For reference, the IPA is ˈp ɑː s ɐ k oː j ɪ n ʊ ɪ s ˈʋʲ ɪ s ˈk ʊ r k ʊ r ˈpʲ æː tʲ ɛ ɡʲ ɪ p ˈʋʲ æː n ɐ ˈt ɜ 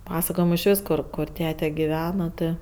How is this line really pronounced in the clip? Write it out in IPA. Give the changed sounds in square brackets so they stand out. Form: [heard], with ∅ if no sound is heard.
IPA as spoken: ˈp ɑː s ɐ k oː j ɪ [m] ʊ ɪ [ʃ] ˈʋʲ ɪ s ˈk ʊ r k ʊ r [ˈtʲ] æː tʲ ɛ ɡʲ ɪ [∅] ˈʋʲ æː n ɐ ˈt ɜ